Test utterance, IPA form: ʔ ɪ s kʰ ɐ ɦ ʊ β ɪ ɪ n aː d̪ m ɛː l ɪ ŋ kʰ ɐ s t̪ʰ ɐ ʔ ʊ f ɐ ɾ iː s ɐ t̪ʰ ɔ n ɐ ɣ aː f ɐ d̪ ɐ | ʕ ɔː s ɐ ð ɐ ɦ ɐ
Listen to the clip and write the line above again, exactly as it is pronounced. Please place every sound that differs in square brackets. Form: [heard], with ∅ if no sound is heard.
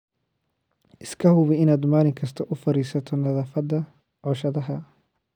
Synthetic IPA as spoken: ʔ ɪ s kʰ ɐ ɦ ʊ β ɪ ɪ n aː d̪ m [aː] l ɪ ŋ kʰ ɐ s t̪ʰ ɐ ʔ ʊ f ɐ ɾ iː s ɐ t̪ʰ ɔ n ɐ [ð] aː f ɐ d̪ ɐ | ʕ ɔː [ʃ] ɐ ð ɐ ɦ ɐ